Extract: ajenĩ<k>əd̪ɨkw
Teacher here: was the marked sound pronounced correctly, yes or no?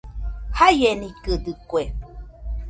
yes